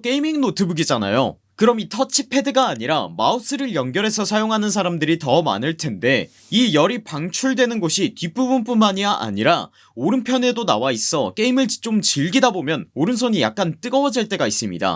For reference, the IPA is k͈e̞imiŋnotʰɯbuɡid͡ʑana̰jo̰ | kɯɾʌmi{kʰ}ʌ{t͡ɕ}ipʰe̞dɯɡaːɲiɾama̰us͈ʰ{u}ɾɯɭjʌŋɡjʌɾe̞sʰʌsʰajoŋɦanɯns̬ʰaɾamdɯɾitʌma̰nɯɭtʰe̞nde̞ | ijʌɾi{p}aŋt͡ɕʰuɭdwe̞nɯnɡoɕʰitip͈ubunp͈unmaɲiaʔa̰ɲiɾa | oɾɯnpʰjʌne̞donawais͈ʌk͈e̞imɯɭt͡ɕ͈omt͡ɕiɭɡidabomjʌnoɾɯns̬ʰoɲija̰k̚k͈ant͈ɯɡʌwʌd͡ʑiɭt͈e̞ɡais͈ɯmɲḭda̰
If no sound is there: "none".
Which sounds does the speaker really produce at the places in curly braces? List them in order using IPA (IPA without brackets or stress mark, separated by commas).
tʰ, t͡ɕʰ, ɯ, p